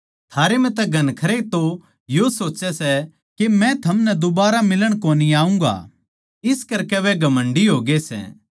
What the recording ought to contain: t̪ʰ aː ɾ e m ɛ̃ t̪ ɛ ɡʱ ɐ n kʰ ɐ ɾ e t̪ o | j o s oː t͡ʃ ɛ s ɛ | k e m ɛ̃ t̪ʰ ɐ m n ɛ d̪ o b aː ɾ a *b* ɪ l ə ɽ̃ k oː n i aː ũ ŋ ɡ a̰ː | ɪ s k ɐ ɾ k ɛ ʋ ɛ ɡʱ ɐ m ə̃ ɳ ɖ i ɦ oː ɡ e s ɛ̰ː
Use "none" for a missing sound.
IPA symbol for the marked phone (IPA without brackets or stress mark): m